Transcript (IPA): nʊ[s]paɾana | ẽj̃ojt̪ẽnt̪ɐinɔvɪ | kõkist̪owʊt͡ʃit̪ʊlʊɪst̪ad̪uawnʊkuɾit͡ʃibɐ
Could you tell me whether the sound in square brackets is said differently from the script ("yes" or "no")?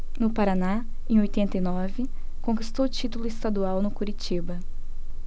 yes